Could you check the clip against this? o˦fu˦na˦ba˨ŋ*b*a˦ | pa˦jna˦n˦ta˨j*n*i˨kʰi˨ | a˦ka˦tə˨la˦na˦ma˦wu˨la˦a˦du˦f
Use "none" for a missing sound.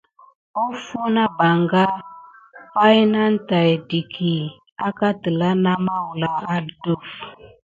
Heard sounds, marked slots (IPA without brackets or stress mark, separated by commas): ɡ, d